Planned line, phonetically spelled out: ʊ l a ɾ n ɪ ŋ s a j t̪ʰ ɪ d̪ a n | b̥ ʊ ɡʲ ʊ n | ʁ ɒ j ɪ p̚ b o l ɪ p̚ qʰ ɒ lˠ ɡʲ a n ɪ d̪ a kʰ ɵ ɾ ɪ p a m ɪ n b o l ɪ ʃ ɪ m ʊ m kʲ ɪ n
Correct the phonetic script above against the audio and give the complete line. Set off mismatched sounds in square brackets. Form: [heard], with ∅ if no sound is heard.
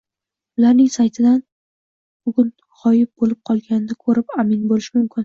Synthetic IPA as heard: ʊ l a ɾ n ɪ ŋ s a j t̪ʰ ɪ d̪ a n | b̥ ʊ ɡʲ ʊ n | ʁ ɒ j ɪ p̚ b o l ɪ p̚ qʰ ɒ lˠ ɡʲ a n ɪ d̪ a kʰ ɵ ɾ ɪ p a m ɪ n b o l ɪ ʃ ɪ m ʊ m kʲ ɪ n